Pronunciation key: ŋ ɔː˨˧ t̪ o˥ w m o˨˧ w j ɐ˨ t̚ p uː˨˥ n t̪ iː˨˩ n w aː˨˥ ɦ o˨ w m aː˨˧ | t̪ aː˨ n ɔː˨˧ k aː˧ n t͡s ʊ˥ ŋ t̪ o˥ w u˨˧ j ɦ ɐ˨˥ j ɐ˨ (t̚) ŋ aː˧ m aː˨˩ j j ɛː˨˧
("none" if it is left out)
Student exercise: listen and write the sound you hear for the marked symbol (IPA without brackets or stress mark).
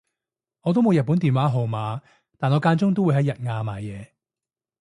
t̚